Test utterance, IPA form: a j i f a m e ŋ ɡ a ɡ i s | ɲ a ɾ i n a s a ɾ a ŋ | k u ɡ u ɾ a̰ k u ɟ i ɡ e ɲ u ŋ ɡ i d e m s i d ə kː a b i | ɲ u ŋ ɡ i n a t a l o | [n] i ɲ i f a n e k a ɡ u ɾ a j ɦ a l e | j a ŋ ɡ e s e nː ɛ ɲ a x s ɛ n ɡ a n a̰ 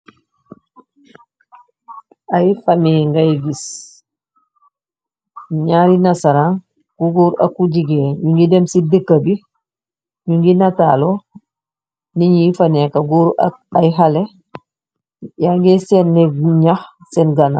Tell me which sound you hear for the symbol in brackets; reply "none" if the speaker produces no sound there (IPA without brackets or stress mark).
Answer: n